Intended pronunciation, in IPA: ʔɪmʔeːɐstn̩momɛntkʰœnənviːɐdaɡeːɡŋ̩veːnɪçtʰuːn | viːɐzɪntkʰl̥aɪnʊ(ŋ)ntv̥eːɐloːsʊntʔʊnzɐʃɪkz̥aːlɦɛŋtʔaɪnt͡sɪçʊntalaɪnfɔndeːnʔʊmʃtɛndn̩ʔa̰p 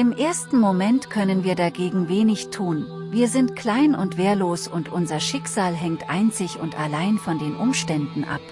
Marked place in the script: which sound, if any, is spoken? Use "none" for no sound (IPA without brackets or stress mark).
none